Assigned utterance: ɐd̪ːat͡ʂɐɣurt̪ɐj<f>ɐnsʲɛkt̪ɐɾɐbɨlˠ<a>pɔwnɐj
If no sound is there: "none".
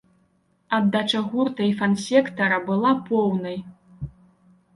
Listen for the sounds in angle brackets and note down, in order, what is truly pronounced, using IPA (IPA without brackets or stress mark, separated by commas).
f, a